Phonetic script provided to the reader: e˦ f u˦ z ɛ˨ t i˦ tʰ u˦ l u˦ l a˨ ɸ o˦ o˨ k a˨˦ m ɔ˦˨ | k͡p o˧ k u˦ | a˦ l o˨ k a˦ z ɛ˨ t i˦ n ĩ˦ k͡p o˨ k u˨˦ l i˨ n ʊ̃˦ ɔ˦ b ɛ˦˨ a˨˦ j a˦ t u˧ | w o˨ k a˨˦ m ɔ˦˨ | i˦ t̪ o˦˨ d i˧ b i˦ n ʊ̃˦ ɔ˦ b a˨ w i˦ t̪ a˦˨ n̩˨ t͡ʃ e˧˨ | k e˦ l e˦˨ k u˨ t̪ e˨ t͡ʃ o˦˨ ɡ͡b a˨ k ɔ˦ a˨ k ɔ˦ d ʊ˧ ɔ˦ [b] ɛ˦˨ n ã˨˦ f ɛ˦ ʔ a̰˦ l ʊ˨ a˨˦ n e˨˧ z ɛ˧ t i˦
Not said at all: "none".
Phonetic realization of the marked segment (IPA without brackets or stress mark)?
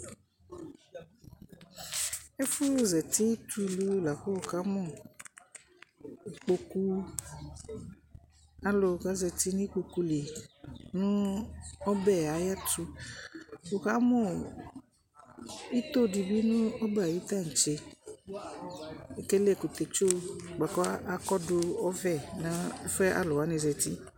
v